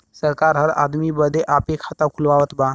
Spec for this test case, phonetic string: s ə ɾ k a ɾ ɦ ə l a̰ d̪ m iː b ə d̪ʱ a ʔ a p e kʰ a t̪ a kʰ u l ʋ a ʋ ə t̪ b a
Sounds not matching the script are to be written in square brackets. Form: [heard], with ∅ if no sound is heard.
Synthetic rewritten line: s ə ɾ k a ɾ ɦ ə [ɾ] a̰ d̪ m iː b ə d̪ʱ [e] ʔ a p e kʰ a t̪ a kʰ u l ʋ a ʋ ə t̪ b a